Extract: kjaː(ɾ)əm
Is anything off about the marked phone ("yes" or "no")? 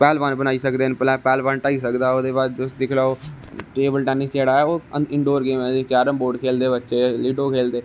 no